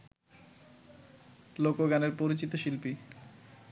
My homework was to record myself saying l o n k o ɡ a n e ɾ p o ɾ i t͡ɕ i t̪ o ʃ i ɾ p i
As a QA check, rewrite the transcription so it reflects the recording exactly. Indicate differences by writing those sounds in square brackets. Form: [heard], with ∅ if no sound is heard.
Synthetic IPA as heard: l o [∅] k o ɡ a n e ɾ p o ɾ i t͡ɕ i t̪ o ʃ i [l] p i